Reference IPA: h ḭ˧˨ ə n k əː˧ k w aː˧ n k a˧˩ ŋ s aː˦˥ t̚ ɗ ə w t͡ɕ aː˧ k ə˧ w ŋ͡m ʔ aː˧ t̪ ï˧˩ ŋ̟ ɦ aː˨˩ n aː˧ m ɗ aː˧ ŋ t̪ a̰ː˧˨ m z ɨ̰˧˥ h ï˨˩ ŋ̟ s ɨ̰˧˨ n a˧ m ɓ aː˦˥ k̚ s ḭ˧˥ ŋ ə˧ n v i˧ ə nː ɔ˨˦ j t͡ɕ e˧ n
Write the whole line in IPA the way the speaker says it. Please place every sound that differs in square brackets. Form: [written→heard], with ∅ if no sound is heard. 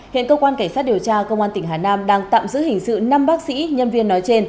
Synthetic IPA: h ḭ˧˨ ə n k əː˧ k w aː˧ n k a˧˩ ŋ s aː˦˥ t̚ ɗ ə w t͡ɕ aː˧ k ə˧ w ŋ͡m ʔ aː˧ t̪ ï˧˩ ŋ̟ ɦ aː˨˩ n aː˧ m ɗ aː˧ ŋ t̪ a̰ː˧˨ m z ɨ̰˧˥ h ï˨˩ ŋ̟ s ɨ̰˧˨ n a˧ m ɓ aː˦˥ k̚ s ḭ˧˥ [ŋ→ɲ] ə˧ n v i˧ ə nː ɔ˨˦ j t͡ɕ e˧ n